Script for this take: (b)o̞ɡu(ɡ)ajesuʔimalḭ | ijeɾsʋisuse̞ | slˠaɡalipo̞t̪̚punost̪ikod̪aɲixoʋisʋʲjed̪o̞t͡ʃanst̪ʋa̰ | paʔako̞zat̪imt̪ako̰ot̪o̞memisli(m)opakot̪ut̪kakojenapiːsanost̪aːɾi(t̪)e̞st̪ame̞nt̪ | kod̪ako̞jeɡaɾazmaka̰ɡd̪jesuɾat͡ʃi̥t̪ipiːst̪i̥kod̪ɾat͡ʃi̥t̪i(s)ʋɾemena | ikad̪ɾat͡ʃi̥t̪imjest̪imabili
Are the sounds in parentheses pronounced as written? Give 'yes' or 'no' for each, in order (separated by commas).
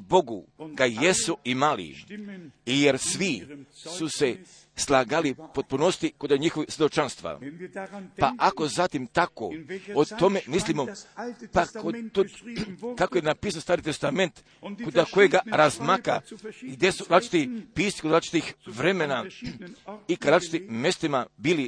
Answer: yes, yes, yes, yes, no